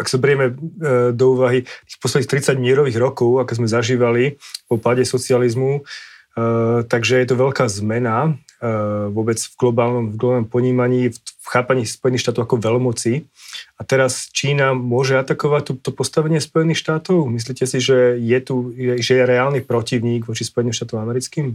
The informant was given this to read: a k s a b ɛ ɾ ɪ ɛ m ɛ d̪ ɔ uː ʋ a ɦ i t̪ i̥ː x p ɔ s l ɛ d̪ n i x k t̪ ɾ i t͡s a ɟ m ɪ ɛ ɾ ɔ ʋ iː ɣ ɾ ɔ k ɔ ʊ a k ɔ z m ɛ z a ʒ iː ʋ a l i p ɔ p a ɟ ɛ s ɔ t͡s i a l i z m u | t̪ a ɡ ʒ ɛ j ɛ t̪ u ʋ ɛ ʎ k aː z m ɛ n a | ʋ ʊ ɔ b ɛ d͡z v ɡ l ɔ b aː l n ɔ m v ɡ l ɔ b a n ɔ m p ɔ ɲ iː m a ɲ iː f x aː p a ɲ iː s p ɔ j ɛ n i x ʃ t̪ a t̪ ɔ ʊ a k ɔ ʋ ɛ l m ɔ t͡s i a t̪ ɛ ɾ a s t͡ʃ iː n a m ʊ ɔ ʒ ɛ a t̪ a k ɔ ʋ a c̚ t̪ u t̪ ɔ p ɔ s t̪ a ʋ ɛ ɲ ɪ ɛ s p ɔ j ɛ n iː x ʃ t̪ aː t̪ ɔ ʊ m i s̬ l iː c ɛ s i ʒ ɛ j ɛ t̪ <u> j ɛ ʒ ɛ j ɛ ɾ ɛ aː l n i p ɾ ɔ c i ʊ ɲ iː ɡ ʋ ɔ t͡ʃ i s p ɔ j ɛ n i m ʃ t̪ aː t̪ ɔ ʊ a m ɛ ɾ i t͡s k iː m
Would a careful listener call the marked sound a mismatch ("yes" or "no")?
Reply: no